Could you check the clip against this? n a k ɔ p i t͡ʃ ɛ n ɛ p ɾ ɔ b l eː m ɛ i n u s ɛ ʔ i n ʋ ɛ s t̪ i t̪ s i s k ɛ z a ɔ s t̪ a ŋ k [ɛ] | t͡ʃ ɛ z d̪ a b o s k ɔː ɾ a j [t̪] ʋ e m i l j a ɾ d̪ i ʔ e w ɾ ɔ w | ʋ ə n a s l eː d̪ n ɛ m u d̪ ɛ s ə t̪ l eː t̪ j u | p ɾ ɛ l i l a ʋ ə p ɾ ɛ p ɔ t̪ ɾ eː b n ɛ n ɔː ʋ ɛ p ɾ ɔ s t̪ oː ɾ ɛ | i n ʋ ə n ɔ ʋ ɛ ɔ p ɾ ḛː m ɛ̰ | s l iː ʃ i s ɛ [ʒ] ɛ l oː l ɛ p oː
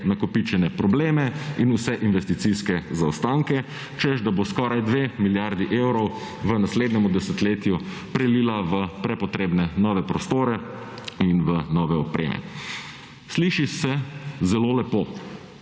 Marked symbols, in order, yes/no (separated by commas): yes, no, no